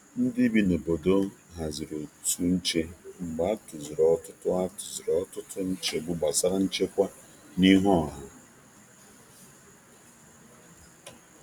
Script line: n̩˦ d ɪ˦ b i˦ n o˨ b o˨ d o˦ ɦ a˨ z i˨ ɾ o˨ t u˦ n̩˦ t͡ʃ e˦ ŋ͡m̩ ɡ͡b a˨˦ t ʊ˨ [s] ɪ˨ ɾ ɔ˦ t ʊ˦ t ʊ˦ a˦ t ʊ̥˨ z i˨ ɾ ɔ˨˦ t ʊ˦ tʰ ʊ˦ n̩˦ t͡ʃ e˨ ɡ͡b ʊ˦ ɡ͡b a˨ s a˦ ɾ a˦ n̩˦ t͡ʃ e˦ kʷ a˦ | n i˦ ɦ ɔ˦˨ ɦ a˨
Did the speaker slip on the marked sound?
yes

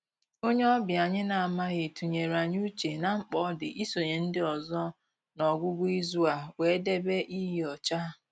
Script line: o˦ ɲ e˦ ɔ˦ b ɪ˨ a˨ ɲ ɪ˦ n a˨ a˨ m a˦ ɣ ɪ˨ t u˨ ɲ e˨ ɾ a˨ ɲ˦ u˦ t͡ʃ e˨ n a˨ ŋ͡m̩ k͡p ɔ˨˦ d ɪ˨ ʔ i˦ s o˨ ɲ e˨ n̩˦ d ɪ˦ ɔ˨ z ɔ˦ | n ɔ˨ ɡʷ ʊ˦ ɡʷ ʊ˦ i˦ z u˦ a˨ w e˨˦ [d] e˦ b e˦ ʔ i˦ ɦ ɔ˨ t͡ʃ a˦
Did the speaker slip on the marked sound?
no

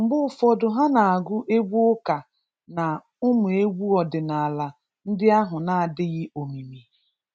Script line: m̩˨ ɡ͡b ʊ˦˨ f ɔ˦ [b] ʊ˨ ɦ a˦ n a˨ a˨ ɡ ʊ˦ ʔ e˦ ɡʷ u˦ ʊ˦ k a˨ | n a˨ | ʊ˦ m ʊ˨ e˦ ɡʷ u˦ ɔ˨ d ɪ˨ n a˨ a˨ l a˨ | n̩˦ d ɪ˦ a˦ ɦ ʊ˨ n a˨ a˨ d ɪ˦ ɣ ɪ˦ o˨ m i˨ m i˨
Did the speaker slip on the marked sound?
yes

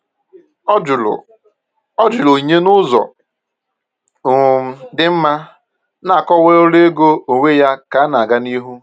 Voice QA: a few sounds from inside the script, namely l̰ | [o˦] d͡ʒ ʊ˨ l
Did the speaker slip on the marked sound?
yes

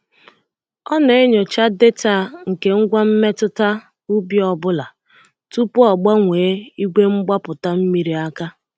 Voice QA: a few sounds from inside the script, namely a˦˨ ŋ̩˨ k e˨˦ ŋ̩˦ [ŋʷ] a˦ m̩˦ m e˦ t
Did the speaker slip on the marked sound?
yes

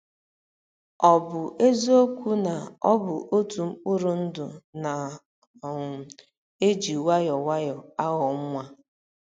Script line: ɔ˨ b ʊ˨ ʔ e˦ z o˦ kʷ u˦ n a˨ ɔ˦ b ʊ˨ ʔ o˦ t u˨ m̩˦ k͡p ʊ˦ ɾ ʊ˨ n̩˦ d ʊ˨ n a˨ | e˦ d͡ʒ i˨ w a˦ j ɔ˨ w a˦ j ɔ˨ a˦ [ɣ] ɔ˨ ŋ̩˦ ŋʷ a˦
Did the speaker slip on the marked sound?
no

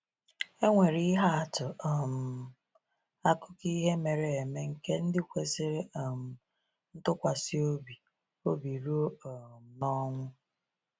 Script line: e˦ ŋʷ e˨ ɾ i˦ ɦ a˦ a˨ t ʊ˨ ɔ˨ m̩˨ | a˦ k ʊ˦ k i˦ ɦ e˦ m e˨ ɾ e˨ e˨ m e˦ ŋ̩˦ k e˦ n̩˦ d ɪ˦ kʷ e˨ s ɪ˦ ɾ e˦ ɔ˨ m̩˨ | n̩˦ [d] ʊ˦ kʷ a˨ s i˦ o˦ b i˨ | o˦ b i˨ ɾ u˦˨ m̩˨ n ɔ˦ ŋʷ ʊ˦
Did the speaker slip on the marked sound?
yes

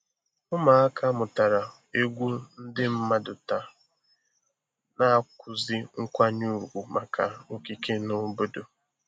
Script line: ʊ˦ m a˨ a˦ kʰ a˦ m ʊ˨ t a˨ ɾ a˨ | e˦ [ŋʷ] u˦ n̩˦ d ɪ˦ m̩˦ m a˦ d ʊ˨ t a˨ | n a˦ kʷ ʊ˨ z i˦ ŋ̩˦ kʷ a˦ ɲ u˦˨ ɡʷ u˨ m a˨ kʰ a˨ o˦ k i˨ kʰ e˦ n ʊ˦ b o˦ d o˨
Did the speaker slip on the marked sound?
yes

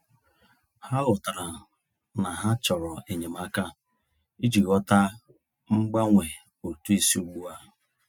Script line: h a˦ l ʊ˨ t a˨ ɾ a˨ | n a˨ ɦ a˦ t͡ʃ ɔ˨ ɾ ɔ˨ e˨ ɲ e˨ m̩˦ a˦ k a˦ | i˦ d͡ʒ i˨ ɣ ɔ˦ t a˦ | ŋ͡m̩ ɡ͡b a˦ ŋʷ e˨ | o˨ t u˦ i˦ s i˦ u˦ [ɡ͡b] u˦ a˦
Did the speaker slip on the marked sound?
no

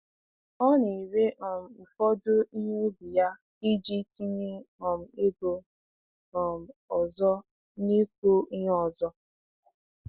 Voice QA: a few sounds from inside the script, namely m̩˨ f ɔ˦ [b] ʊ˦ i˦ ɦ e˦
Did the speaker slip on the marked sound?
yes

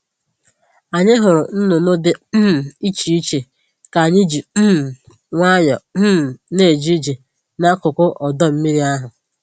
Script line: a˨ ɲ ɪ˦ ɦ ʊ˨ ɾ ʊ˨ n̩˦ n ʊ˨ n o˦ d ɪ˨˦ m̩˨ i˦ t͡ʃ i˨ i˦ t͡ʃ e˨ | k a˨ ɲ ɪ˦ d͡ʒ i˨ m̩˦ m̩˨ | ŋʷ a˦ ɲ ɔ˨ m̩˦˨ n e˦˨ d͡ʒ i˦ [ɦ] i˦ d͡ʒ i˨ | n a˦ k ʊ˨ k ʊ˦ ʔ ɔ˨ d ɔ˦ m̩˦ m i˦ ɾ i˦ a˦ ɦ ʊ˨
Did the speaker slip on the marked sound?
yes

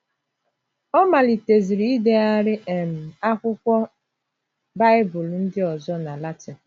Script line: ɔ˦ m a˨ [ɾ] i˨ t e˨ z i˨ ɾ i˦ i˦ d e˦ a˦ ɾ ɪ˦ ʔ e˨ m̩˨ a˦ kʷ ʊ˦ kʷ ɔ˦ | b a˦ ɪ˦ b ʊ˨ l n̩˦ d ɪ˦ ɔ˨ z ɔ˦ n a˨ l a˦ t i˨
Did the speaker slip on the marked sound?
yes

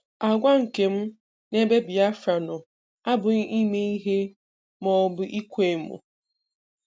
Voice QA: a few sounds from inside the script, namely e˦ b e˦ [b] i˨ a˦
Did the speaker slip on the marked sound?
no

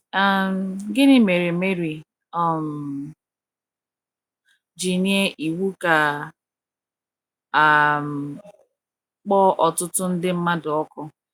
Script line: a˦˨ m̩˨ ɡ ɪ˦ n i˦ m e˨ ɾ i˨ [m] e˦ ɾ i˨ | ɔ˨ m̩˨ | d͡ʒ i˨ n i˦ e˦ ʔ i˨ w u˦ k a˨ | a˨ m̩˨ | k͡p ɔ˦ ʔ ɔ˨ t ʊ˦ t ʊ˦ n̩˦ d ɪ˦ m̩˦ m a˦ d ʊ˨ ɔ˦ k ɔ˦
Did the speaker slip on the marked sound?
no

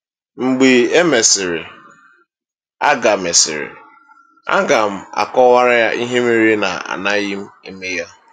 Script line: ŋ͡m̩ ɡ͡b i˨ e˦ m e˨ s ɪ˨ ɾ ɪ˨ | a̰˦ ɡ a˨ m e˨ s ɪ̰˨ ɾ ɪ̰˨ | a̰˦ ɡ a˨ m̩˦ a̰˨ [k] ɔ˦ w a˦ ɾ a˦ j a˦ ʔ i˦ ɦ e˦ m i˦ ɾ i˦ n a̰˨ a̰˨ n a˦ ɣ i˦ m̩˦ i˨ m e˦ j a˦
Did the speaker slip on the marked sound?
no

